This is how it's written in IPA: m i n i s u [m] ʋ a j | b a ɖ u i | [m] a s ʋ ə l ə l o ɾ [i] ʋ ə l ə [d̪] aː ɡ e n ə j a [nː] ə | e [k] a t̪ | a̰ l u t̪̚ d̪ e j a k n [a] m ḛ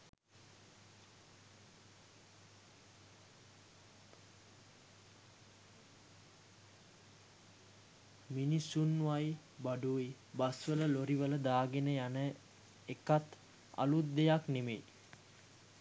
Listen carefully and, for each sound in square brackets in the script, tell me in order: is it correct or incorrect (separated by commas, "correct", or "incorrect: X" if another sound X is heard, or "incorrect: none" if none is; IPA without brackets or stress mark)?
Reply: incorrect: n, incorrect: b, correct, correct, incorrect: n, correct, incorrect: e